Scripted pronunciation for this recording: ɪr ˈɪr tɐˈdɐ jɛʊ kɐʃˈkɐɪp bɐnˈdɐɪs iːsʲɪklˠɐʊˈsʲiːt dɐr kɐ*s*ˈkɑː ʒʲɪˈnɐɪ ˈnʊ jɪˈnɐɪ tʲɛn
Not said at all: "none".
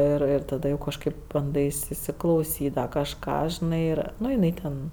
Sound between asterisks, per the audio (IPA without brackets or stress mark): ʃ